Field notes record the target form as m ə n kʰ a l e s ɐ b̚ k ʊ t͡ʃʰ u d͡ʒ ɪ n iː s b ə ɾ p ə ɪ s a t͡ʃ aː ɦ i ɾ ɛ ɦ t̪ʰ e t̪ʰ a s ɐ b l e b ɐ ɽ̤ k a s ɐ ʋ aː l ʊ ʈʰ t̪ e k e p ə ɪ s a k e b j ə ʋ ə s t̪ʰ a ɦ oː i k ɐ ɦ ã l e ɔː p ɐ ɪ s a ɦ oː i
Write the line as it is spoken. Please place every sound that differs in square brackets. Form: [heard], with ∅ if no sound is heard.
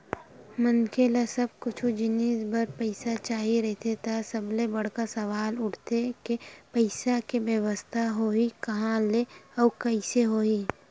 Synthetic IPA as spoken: m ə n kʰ [e] l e s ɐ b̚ k ʊ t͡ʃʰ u d͡ʒ ɪ n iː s b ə ɾ p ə ɪ s a t͡ʃ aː ɦ i ɾ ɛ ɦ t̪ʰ e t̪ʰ a s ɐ b l e b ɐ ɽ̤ k a s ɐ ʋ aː l ʊ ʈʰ t̪ e k e p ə ɪ s a k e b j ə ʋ ə s t̪ʰ a ɦ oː i k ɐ ɦ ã l e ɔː [k] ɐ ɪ s [e] ɦ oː i